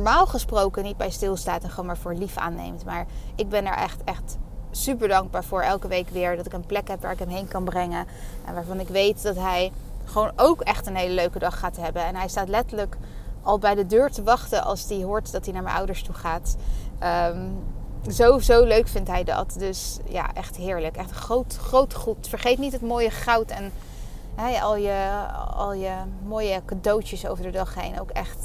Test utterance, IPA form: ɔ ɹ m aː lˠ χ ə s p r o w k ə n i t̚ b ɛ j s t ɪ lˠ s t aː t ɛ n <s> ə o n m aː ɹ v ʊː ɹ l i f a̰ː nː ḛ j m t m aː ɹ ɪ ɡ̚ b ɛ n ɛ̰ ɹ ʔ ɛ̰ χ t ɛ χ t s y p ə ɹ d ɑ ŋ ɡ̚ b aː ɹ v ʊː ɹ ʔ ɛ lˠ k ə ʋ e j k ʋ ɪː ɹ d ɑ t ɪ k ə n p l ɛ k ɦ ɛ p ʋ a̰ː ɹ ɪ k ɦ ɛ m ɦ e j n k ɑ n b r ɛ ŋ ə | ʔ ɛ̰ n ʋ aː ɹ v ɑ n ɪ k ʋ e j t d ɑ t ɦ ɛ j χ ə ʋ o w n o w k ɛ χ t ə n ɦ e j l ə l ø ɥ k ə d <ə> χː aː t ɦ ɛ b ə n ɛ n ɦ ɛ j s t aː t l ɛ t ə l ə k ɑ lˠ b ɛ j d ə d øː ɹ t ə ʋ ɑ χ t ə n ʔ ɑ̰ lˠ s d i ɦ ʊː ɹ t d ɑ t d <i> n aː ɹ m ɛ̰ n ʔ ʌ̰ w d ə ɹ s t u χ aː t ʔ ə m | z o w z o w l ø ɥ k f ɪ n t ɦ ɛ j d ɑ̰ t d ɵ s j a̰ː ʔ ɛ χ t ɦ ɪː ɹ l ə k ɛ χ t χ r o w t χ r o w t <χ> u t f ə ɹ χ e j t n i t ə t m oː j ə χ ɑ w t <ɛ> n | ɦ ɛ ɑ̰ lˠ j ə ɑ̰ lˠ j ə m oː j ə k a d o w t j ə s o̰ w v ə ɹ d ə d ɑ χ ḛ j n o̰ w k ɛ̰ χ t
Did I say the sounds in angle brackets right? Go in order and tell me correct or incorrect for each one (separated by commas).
incorrect, incorrect, correct, correct, correct